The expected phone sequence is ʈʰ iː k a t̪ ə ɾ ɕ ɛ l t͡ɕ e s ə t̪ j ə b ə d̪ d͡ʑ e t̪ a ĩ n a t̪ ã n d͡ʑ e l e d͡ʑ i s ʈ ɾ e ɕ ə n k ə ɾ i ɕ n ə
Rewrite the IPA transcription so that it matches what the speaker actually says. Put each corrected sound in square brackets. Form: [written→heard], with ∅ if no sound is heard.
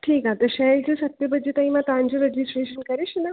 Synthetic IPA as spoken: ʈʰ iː k a t̪ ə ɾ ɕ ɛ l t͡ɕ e s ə t̪ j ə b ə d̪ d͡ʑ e t̪ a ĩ [n→m] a t̪ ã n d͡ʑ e [l→ɾ] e d͡ʑ i s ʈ ɾ e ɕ ə n k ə ɾ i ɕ n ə